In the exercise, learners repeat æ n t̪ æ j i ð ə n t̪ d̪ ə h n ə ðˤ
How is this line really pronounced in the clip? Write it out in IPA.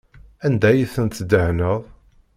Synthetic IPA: æ n d̪ æ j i θ ə n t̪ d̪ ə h n ə ðˤ